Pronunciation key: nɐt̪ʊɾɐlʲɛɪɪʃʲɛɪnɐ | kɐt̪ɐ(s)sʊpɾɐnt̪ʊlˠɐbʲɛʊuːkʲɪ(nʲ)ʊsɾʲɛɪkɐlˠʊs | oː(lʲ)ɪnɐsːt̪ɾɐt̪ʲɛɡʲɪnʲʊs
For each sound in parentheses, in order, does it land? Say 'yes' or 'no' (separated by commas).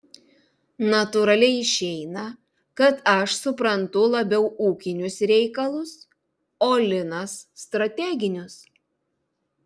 no, yes, yes